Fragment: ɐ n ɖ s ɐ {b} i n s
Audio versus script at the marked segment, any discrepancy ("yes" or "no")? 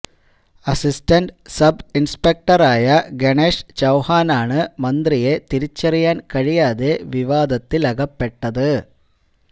no